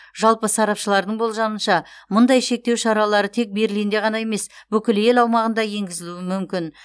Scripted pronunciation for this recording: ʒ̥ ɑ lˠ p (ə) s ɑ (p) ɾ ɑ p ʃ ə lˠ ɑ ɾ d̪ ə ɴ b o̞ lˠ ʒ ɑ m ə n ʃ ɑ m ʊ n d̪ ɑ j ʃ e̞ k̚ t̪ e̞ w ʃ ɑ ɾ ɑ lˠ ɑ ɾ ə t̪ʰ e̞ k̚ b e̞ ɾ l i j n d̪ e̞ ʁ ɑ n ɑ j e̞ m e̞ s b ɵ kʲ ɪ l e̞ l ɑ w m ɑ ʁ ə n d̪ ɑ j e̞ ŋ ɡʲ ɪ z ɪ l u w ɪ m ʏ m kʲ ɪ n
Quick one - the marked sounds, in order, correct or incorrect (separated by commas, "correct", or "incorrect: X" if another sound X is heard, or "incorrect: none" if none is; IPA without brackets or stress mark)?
correct, incorrect: none